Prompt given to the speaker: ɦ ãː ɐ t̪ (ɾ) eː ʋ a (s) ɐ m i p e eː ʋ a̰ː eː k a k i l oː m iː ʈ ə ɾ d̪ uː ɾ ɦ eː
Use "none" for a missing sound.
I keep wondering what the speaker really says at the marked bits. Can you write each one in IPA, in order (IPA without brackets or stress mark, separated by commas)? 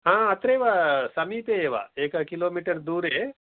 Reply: ɾ, s